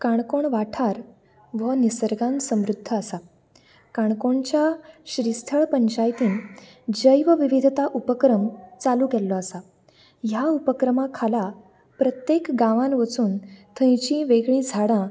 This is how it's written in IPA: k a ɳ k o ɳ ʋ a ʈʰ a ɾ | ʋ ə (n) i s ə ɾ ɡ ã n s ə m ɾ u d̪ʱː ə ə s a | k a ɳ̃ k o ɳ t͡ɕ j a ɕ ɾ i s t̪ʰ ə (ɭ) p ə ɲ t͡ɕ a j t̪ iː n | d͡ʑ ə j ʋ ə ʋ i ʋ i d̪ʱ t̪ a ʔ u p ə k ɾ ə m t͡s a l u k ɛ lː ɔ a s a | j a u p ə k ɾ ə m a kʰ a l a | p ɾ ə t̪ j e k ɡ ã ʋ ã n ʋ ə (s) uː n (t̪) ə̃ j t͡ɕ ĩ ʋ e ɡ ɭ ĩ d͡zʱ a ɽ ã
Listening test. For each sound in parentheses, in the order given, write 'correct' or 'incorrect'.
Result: correct, correct, incorrect: t͡s, incorrect: t̪ʰ

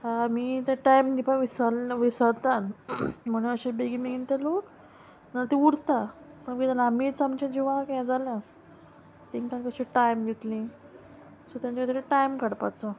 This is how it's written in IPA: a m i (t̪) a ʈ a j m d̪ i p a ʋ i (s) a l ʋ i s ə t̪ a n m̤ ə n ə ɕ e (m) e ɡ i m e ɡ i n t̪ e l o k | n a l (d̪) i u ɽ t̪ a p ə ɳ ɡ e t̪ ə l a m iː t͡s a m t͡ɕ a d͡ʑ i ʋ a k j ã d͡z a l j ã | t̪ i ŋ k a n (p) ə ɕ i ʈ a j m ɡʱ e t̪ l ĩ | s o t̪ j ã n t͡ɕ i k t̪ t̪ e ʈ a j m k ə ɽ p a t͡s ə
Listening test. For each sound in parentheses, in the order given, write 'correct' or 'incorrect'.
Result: correct, correct, incorrect: b, incorrect: t̪, incorrect: k

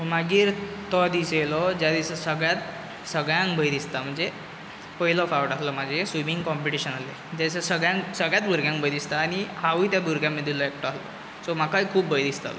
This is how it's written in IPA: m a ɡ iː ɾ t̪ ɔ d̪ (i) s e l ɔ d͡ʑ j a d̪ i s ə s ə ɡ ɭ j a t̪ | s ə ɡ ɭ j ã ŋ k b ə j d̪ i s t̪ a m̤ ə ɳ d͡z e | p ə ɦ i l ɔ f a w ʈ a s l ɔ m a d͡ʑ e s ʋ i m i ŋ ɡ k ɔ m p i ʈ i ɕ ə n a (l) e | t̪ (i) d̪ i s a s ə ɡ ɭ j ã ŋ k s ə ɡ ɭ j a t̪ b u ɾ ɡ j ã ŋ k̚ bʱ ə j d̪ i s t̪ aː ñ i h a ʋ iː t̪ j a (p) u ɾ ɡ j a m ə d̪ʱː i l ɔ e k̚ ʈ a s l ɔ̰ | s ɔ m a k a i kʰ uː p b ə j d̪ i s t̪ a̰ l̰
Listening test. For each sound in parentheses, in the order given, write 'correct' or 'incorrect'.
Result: correct, correct, incorrect: a, incorrect: b

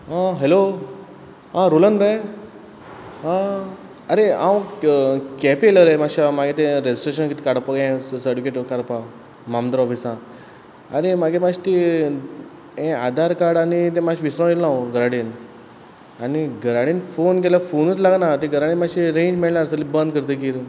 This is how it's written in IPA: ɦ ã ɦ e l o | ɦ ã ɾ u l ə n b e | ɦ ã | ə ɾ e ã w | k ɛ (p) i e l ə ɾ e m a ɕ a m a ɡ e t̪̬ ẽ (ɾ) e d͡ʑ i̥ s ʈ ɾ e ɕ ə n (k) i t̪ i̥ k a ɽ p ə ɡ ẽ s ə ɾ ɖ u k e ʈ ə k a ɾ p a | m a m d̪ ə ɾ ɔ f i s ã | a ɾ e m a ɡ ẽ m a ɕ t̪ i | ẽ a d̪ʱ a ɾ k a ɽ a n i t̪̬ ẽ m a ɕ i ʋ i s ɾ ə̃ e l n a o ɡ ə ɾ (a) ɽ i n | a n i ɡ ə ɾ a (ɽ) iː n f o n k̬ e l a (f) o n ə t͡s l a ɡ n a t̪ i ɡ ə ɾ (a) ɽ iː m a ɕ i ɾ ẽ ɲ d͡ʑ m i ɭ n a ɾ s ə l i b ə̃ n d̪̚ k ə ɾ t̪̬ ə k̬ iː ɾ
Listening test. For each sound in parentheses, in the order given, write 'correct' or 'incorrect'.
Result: correct, correct, correct, correct, correct, correct, correct

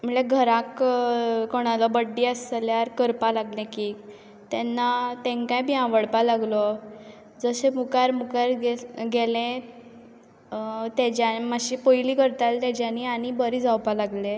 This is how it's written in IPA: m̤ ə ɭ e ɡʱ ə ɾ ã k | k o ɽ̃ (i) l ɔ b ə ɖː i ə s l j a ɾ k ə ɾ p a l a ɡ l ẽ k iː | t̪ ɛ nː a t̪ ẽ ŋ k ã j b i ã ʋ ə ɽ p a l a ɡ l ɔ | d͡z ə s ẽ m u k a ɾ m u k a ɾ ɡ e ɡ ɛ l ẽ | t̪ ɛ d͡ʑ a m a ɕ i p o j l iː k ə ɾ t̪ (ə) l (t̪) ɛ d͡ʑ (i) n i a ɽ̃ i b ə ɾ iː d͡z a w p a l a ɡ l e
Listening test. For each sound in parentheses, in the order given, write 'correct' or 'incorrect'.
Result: incorrect: a, incorrect: a, correct, incorrect: a

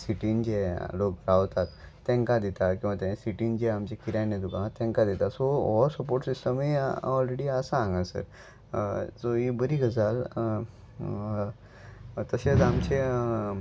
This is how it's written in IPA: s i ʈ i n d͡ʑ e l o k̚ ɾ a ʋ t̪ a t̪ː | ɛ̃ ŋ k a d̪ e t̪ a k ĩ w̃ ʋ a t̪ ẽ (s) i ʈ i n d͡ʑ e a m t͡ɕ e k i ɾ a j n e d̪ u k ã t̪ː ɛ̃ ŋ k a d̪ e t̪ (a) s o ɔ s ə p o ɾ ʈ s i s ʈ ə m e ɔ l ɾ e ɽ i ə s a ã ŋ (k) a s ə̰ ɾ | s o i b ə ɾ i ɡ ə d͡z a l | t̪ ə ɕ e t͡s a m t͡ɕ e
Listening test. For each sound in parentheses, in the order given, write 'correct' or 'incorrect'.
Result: correct, correct, incorrect: ɡ

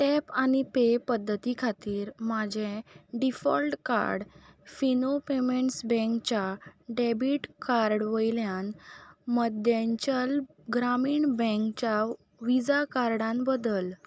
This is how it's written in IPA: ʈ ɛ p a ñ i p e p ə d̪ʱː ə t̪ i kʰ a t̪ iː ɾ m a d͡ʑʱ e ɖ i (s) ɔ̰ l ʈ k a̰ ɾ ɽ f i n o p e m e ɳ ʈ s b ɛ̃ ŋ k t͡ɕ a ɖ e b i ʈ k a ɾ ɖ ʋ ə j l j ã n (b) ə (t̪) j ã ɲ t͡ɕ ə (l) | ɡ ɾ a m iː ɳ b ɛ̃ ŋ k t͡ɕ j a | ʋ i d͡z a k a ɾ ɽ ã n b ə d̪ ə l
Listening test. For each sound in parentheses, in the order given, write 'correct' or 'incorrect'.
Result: incorrect: f, incorrect: m, incorrect: d̪, correct

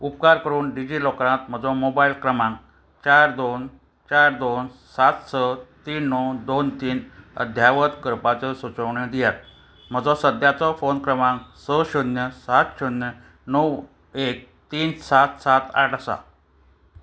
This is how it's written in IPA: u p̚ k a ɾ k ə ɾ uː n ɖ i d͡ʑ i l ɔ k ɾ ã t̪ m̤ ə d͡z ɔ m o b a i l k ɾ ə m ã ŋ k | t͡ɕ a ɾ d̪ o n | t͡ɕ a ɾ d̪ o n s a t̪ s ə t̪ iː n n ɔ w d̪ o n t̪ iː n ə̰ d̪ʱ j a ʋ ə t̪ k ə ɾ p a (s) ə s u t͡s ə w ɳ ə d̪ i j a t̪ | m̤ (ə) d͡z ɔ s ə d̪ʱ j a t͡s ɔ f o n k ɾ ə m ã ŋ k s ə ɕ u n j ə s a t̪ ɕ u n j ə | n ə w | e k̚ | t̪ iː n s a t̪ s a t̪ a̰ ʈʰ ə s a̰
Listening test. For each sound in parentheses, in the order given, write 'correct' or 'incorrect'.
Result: incorrect: t͡s, correct

